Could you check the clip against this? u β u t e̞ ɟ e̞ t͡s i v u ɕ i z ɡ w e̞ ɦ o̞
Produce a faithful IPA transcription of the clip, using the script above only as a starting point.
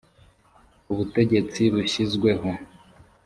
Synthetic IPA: u β u t e̞ ɟ e̞ t͡s i β u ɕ i z ɡ w e̞ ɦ o̞